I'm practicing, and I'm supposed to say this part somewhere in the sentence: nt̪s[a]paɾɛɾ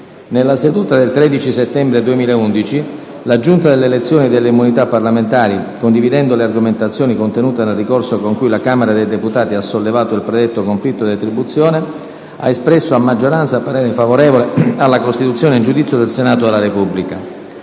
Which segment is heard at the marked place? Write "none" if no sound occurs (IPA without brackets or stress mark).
a